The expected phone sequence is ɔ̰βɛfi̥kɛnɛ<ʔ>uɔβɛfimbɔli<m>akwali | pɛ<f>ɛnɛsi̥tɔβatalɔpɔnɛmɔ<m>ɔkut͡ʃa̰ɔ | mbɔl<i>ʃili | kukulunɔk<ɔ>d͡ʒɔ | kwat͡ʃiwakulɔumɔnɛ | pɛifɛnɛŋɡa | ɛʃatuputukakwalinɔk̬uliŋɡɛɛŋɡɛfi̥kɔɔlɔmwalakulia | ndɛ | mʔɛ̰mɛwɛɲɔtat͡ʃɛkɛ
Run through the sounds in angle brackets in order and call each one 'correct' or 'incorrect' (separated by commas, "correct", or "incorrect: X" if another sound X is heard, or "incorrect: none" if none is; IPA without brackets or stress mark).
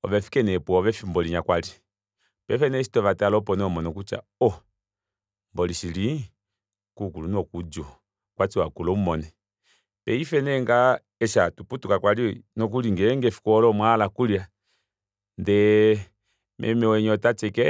incorrect: p, incorrect: ɲ, correct, incorrect: n, correct, incorrect: u